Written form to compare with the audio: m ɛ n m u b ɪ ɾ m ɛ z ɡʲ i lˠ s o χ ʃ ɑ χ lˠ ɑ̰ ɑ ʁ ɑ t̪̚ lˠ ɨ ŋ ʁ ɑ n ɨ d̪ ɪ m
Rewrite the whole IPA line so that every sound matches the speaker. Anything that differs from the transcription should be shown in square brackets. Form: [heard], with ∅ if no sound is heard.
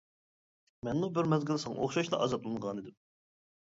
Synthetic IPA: m ɛ n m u b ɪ ɾ m ɛ z ɡʲ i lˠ s o χ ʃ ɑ [ʃ] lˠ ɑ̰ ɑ [z] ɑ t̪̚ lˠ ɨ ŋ ʁ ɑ n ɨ d̪ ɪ m